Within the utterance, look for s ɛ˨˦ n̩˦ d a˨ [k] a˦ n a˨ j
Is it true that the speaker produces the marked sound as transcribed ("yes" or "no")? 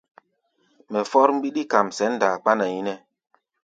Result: no